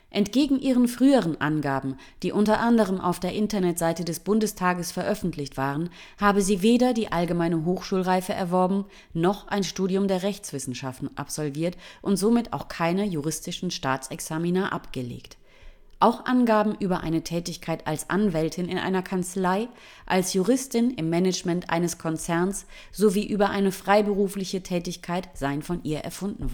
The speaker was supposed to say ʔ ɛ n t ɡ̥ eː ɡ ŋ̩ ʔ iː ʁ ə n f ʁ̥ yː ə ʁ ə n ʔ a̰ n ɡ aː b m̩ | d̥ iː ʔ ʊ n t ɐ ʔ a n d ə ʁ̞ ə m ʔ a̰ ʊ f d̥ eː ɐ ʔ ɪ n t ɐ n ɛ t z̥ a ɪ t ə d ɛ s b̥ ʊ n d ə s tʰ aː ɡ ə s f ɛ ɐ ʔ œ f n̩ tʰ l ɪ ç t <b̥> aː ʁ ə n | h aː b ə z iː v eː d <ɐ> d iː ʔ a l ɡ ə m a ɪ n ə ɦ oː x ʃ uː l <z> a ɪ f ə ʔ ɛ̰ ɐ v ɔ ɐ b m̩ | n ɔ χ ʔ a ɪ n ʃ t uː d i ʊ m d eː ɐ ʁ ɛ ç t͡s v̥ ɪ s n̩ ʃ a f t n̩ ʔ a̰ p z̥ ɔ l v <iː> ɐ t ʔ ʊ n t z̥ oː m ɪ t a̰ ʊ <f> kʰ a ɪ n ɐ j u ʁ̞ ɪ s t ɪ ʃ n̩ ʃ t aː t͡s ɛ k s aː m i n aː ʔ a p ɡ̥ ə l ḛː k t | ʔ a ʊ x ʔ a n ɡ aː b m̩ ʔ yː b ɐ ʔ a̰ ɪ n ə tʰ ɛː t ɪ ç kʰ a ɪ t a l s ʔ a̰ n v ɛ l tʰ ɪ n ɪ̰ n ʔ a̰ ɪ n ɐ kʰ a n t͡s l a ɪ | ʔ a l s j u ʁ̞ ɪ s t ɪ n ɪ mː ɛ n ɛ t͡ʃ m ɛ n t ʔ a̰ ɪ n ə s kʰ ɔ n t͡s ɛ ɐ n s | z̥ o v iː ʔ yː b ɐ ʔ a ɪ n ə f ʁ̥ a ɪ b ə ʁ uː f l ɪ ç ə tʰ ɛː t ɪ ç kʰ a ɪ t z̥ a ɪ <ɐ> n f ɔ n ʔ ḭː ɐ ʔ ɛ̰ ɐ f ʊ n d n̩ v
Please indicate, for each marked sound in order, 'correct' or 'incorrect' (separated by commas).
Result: incorrect, correct, incorrect, correct, incorrect, incorrect